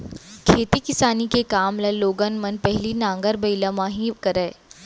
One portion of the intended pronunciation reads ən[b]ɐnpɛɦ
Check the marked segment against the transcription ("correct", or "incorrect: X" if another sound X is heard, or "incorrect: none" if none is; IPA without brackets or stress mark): incorrect: m